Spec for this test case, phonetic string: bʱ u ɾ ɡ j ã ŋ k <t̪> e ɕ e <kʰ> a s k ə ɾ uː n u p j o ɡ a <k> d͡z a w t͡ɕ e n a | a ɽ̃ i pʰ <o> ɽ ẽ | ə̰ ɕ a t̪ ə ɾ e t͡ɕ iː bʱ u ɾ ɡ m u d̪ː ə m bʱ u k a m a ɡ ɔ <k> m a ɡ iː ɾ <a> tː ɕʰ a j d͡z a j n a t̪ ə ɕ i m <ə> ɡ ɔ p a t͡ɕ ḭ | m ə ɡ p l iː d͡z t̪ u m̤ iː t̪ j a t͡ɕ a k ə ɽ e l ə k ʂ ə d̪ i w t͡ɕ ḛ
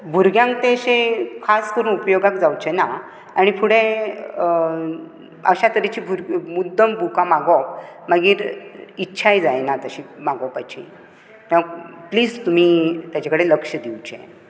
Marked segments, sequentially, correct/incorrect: correct, correct, correct, incorrect: u, incorrect: p, incorrect: i, incorrect: a

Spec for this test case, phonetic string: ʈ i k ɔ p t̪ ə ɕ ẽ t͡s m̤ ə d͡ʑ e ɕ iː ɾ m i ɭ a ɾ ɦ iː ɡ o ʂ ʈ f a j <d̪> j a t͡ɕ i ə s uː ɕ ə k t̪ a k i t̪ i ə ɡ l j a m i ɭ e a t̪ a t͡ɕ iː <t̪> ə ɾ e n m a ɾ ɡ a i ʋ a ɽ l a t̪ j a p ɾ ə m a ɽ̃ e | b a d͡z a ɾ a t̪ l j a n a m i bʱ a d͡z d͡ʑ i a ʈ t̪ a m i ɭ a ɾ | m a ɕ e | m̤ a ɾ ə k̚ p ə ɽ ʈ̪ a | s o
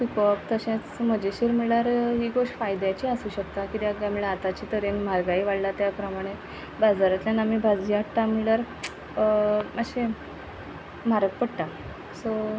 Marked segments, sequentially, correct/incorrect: correct, correct

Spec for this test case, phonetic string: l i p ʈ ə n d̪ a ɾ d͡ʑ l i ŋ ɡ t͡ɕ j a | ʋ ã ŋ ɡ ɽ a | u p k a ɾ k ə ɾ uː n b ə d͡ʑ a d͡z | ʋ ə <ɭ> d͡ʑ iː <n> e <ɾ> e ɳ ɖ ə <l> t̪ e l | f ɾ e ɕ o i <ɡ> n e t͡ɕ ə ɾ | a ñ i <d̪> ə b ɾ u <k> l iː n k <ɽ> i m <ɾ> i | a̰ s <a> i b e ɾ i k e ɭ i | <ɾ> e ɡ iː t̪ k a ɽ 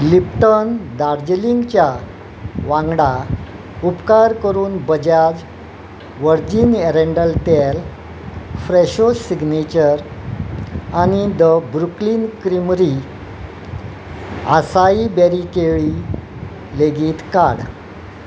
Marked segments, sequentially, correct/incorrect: incorrect: ɾ, correct, correct, correct, correct, correct, correct, incorrect: ɾ, correct, correct, incorrect: l

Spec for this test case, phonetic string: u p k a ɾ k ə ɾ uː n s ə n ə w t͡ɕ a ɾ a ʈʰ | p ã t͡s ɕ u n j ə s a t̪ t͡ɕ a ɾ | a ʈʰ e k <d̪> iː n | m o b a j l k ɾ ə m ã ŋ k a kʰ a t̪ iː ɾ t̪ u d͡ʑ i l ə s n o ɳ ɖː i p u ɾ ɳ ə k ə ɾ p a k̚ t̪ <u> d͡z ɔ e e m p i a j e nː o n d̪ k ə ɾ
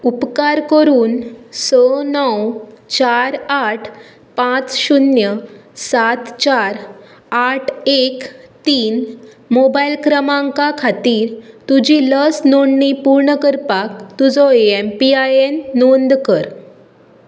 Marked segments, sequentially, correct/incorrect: incorrect: t̪, correct

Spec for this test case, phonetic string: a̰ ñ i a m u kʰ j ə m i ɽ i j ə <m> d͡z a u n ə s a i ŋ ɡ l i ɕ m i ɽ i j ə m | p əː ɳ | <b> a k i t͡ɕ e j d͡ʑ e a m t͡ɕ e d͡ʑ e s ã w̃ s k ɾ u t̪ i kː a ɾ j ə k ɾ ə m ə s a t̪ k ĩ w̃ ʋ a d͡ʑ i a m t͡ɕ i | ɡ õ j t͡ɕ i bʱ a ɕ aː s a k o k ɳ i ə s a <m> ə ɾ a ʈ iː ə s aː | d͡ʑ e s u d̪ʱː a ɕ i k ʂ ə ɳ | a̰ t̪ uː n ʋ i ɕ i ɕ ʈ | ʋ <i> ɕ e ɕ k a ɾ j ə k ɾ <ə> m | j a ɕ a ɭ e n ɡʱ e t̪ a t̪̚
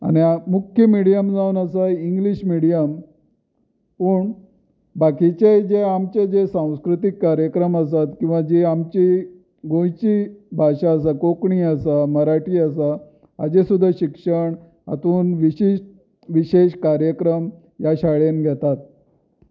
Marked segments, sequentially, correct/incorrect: correct, correct, correct, correct, correct

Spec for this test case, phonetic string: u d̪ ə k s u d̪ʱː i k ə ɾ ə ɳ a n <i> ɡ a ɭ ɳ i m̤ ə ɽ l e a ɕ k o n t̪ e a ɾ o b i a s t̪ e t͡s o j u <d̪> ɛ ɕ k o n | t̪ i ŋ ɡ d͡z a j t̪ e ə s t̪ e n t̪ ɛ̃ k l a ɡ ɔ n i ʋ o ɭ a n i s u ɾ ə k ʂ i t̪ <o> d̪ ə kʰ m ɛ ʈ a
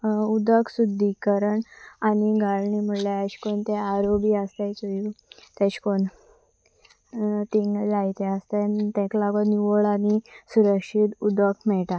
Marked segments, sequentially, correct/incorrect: correct, incorrect: t̪, incorrect: u

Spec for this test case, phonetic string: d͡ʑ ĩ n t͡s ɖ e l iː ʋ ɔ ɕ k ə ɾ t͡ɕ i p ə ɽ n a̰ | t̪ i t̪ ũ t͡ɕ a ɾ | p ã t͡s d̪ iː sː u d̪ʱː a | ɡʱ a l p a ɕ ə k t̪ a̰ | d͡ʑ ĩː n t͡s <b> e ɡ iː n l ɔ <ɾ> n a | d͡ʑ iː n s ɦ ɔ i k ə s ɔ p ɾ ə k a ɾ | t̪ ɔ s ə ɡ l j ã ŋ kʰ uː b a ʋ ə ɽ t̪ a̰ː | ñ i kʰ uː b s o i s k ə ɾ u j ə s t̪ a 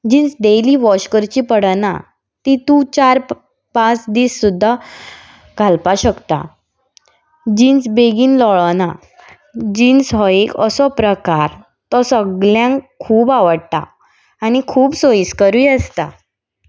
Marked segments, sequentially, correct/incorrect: correct, incorrect: ɭ

